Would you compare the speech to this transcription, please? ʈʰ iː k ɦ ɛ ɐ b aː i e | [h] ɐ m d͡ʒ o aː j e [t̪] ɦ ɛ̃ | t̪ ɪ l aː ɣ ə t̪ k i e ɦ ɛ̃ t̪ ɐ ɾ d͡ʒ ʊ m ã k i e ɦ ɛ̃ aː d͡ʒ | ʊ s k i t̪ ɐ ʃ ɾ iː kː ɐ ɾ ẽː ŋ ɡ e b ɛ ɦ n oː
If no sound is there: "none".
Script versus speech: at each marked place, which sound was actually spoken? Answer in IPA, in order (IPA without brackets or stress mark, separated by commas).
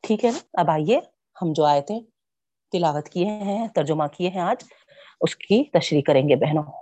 h, t̪